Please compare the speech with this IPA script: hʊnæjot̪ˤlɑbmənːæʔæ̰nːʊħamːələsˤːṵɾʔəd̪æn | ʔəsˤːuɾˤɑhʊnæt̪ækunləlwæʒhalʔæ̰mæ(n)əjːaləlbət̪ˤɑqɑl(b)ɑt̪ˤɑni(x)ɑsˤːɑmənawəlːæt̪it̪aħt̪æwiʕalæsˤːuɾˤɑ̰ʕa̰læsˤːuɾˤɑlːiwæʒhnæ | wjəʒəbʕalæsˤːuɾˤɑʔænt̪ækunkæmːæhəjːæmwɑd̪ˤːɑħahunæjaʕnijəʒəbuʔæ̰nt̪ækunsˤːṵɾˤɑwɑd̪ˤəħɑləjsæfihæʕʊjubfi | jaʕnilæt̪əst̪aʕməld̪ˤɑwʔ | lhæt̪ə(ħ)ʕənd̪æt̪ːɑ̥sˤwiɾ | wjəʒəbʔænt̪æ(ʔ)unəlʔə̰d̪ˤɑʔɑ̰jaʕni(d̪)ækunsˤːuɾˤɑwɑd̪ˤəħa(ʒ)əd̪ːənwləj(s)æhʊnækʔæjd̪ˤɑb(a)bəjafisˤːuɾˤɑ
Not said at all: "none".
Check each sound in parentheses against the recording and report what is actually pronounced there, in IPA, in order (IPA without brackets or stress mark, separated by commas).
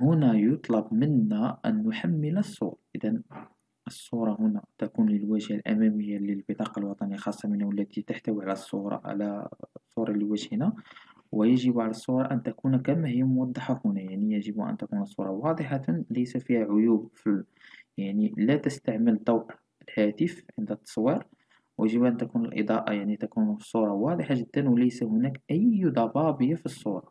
m, w, x, f, k, t̪, ʒ, s, ɑ